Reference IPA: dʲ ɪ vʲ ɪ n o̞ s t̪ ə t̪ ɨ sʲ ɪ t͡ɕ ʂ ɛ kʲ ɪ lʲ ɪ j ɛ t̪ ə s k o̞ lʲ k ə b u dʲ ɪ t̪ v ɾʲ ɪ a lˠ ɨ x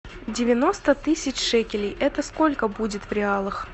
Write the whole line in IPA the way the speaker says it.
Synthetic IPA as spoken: dʲ ɪ vʲ ɪ n o̞ s t̪ ə t̪ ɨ sʲ ɪ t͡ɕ ʂ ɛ kʲ ɪ lʲ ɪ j ɛ t̪ ə s k o̞ lʲ k ə b u dʲ ɪ t̪ v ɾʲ ɪ a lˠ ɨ x